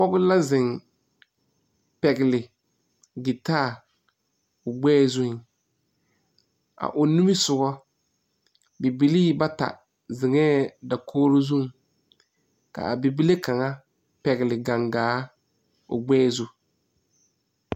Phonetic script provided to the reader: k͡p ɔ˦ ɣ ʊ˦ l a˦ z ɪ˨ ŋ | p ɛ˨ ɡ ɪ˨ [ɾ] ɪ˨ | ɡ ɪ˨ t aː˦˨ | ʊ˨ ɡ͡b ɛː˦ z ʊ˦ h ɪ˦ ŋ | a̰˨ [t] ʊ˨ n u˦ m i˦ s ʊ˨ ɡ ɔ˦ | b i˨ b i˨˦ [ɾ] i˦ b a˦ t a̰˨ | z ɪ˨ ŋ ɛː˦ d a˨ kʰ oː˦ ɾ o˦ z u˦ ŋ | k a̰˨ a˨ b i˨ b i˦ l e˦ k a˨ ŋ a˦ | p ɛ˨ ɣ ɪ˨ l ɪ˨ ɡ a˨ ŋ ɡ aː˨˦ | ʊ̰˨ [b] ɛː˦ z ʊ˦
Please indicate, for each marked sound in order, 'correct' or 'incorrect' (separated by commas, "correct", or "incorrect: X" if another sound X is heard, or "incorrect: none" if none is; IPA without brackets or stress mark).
incorrect: l, incorrect: ʔ, incorrect: l, incorrect: ɡ͡b